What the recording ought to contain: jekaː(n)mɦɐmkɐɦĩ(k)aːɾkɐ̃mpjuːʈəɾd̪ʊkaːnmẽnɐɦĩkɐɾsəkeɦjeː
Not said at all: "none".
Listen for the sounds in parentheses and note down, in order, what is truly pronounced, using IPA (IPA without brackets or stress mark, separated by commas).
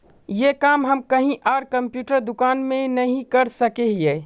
none, ʔ